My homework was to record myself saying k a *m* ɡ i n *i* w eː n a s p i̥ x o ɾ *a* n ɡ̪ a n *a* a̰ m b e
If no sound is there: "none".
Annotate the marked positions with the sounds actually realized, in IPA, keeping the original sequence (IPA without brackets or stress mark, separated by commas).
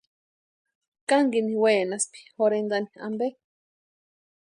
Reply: ŋ, i, e, i